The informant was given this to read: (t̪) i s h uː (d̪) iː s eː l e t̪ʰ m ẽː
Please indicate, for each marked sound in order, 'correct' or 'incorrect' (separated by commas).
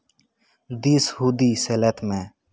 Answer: incorrect, correct